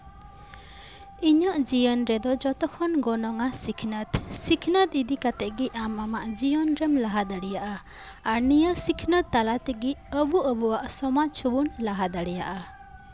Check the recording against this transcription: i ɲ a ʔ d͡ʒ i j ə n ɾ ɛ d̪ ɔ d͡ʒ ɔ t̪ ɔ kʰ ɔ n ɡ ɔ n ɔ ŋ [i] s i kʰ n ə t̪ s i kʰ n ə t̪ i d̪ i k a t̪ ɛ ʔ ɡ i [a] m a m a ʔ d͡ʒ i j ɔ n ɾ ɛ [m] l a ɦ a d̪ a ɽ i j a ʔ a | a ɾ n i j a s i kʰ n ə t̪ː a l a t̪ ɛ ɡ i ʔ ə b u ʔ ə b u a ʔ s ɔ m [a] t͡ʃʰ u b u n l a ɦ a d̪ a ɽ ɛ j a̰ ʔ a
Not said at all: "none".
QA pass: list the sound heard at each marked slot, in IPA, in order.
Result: a, a, m, a

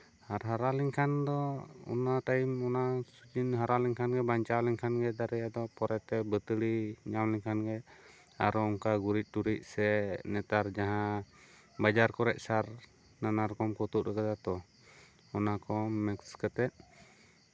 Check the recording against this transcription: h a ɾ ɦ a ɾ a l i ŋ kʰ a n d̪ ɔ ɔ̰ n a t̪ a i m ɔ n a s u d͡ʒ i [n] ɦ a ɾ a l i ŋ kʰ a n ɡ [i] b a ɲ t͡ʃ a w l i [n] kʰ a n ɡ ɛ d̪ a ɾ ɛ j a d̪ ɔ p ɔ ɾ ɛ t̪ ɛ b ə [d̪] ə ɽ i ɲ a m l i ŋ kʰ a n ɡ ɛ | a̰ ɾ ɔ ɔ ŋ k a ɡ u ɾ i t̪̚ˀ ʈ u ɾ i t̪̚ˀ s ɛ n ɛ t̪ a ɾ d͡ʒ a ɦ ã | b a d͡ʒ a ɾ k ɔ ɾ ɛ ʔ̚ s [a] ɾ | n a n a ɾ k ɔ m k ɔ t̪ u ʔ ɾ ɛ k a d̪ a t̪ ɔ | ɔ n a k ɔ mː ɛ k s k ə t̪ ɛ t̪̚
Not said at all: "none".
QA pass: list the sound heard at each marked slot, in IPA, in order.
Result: n, ɛ, ŋ, t̪, a

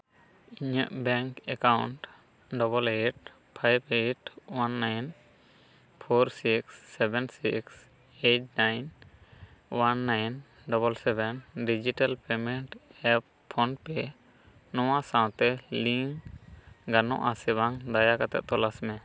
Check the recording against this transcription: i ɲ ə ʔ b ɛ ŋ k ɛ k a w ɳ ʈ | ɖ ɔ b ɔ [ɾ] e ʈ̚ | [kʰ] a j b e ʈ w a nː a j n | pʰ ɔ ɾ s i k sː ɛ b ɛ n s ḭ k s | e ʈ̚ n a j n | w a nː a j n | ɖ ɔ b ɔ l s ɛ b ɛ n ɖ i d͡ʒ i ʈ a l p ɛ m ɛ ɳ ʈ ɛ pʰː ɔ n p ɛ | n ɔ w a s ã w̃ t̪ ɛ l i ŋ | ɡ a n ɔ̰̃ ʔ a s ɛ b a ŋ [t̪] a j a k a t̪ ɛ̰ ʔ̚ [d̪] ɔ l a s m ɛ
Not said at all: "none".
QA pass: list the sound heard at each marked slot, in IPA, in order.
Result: l, pʰ, d̪, t̪

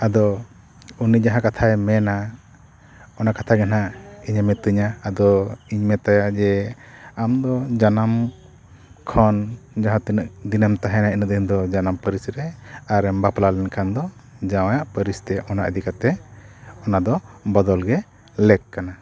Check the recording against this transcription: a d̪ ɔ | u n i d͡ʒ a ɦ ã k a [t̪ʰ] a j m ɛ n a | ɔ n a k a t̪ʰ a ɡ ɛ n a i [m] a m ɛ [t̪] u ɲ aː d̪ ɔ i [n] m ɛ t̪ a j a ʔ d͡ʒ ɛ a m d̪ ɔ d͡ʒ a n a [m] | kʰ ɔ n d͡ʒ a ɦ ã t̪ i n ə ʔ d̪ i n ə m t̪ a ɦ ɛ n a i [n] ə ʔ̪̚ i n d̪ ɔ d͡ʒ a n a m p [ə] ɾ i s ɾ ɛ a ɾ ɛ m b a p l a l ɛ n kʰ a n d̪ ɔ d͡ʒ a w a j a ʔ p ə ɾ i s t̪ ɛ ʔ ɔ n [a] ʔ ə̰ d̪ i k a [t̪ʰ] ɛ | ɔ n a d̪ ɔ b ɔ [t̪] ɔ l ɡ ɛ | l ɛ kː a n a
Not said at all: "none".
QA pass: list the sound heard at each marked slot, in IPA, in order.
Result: t̪ʰ, ɲ, t̪, ɲ, m, n, ə, a, t̪, d̪

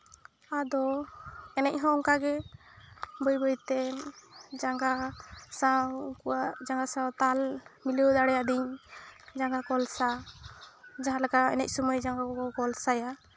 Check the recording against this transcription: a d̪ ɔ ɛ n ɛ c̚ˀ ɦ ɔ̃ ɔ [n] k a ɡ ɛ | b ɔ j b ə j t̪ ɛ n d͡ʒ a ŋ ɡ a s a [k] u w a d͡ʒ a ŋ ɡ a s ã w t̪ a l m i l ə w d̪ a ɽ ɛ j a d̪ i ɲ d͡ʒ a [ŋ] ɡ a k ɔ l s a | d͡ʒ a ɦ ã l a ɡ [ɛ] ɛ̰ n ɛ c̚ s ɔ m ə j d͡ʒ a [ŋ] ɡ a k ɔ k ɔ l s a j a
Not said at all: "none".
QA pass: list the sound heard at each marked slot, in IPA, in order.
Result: ŋ, k, ŋ, a, ŋ

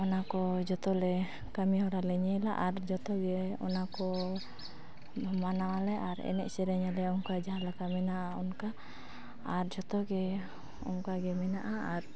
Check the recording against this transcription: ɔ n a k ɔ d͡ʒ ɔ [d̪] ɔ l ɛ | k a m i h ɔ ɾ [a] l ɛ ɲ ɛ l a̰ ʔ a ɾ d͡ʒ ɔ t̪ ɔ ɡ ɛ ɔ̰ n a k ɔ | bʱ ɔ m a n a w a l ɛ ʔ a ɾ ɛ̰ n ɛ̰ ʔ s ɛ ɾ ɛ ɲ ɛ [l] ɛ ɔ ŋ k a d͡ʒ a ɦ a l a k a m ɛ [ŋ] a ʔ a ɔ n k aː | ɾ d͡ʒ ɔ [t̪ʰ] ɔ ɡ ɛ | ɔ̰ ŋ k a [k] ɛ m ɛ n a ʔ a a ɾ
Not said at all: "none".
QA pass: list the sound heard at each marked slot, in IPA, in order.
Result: t̪, a, l, n, t̪, ɡ

